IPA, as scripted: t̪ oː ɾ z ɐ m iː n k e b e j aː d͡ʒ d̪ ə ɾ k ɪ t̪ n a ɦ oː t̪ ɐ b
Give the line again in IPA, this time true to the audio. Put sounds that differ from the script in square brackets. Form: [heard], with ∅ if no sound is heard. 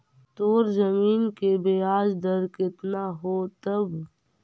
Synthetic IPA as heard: t̪ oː ɾ z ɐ m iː n k e b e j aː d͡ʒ d̪ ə ɾ k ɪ t̪ n a ɦ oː t̪ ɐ b